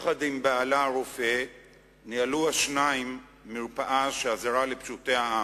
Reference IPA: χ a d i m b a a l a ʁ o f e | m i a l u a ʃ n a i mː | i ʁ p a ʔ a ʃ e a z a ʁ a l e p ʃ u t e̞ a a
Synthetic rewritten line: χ a d i m b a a l a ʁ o f e | n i a l u a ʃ n a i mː | i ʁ p a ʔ a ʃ e a z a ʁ a l e p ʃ u t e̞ a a